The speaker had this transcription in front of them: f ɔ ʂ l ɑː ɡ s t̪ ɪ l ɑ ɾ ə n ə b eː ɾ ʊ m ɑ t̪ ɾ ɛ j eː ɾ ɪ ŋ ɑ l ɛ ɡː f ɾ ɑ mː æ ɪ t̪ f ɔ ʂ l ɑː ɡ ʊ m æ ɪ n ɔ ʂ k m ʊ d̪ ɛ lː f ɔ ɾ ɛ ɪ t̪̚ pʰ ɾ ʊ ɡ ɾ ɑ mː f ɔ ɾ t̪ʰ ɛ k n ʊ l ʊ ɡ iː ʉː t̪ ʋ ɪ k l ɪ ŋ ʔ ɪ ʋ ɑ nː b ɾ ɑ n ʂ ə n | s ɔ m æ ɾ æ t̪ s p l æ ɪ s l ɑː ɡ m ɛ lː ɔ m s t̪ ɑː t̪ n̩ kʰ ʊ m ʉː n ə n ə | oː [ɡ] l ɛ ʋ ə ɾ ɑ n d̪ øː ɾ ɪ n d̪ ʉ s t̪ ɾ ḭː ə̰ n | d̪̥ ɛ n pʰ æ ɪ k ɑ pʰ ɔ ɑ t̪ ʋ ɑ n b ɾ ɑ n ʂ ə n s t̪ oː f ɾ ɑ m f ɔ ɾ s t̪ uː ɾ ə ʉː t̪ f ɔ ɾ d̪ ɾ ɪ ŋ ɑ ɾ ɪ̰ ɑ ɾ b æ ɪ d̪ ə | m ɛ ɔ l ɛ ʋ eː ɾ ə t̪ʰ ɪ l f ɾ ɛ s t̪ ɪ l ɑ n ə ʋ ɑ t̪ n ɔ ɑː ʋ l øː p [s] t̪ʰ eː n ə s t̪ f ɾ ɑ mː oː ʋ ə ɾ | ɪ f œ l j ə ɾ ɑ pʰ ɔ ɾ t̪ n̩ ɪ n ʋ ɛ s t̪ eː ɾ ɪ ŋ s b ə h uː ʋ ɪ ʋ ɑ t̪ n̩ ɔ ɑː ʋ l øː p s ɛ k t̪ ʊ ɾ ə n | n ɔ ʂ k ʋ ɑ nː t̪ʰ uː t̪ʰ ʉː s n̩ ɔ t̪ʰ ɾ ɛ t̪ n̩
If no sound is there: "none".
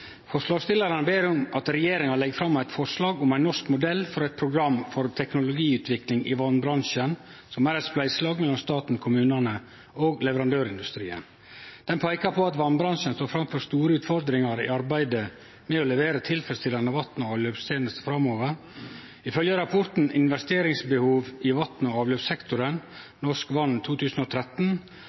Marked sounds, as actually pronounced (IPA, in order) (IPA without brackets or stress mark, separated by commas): ɡ, s